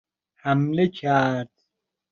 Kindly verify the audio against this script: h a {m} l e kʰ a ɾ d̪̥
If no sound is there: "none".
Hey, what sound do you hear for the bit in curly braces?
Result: m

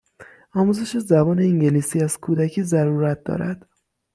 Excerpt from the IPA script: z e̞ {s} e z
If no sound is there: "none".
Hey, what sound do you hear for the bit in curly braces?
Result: ʃ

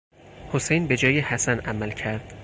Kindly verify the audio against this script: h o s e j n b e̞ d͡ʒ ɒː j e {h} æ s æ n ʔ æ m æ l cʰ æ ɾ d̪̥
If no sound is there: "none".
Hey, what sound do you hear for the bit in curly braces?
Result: h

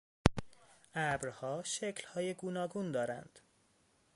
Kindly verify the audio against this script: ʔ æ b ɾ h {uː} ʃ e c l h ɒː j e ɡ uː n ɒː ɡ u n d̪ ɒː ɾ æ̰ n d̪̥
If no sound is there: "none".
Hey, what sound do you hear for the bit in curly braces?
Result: ɒː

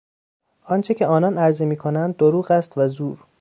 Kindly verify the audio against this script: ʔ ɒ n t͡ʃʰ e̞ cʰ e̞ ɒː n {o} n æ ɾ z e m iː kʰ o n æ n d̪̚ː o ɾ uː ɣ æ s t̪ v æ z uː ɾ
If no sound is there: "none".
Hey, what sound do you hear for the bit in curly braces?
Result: ɒ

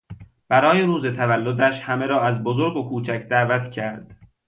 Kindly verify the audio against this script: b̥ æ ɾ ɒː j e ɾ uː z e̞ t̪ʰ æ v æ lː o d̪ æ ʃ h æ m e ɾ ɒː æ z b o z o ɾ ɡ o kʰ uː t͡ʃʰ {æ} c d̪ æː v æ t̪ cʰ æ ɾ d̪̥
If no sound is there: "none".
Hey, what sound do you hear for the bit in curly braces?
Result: æ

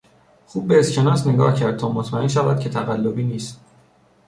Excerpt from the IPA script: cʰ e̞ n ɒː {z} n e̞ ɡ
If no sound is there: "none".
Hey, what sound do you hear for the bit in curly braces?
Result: s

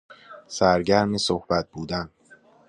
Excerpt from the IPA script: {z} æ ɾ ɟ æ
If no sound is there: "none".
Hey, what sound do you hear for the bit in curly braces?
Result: s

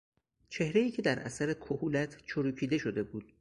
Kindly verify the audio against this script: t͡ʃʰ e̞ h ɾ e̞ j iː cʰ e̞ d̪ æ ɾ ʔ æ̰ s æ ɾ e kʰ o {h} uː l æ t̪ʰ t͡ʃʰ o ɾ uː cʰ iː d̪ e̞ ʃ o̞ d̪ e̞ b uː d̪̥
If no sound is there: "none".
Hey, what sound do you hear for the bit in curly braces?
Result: h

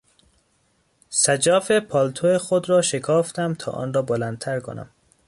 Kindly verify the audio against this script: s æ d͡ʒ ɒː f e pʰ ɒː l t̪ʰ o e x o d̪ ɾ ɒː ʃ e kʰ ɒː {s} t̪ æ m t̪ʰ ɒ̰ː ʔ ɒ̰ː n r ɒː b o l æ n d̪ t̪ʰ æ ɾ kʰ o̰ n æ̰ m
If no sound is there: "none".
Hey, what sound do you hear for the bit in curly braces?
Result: f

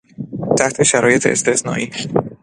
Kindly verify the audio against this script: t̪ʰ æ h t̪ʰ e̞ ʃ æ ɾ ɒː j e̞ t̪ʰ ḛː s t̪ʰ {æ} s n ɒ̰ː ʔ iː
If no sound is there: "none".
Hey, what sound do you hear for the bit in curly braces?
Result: e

